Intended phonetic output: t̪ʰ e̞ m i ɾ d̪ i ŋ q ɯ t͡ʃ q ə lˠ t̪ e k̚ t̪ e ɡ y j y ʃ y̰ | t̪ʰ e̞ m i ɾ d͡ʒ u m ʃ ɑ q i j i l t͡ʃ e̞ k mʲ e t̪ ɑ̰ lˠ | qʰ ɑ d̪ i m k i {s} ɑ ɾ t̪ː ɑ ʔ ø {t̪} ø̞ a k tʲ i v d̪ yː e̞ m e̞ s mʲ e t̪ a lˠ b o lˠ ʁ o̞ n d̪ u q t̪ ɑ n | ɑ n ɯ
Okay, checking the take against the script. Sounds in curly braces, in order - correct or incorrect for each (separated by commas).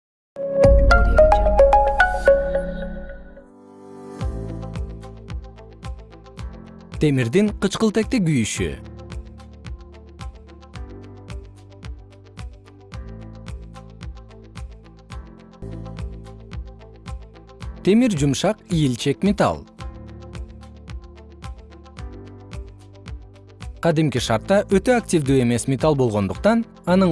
incorrect, correct